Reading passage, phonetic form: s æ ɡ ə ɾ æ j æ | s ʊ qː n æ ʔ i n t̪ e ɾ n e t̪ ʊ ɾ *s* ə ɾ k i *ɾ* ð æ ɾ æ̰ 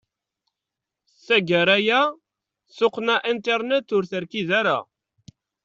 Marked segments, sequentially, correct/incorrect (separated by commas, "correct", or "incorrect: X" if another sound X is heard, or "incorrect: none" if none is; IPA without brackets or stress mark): incorrect: θ, incorrect: none